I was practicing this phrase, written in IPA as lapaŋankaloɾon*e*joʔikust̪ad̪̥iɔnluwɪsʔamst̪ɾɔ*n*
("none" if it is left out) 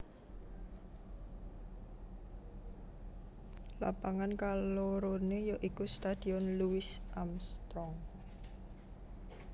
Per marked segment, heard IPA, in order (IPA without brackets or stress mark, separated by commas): e, ŋ